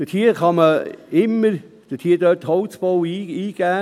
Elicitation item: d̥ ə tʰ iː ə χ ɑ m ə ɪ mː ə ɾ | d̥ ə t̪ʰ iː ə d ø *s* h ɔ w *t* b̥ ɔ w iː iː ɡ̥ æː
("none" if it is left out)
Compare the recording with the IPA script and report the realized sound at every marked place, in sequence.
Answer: t, t͡s

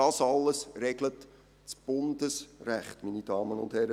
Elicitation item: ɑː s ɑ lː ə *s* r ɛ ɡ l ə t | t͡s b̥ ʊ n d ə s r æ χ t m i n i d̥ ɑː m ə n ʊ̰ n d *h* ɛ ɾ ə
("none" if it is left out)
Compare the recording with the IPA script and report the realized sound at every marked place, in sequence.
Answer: s, h

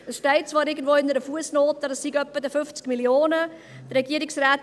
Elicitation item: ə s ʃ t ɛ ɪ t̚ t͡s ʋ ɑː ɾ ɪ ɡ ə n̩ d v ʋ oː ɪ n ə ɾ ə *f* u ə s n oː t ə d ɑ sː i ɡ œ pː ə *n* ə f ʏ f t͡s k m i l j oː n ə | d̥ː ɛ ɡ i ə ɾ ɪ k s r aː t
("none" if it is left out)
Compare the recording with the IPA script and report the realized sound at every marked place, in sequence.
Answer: f, d

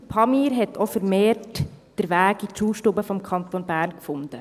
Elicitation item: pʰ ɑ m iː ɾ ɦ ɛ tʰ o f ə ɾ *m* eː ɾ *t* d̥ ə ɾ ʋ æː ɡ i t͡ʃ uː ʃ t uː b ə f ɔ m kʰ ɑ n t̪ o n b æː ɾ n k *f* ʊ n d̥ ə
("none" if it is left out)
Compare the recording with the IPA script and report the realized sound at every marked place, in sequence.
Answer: m, t, f

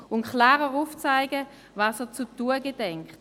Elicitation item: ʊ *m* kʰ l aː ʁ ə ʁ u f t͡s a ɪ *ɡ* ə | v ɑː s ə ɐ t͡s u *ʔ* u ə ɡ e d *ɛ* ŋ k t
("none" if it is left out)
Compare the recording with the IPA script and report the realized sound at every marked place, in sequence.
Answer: n, ɡ, t, ɛ

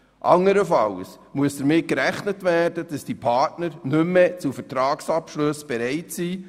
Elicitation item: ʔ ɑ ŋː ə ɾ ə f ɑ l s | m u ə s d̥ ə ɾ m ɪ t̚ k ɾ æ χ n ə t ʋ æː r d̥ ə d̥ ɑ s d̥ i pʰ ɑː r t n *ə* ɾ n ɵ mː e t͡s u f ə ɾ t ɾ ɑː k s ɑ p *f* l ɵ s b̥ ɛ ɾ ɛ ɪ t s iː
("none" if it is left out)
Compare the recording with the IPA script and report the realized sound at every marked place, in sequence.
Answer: ə, ʃ

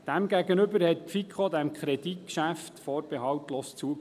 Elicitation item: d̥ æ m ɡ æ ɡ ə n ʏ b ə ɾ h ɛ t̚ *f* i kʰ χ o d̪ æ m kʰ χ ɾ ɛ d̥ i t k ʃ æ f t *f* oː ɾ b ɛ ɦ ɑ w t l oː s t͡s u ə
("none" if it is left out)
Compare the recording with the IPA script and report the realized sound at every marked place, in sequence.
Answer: f, f

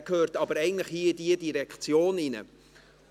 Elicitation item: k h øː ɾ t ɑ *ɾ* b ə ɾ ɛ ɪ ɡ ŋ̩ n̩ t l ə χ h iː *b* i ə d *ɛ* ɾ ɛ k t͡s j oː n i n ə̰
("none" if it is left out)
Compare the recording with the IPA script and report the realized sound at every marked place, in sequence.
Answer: none, d, i

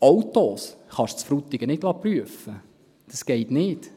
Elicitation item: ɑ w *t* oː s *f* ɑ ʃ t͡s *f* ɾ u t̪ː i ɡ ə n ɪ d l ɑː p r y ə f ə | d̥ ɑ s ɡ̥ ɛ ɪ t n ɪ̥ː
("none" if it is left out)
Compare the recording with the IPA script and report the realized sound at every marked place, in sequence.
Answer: t, χ, f

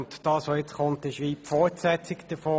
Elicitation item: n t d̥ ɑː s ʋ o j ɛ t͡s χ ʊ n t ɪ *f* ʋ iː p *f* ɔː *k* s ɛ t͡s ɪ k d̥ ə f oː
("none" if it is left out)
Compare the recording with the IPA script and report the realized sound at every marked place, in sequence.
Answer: ʃ, f, t

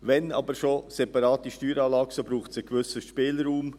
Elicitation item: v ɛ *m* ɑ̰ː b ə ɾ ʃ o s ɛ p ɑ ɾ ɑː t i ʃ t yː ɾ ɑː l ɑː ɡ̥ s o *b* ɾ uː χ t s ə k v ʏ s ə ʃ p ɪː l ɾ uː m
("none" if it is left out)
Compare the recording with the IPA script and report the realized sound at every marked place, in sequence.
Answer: n, b

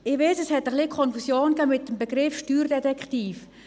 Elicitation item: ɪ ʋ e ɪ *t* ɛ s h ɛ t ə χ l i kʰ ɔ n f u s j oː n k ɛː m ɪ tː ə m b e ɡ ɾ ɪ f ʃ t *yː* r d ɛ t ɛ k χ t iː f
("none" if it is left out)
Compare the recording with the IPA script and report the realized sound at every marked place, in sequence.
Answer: s, yː

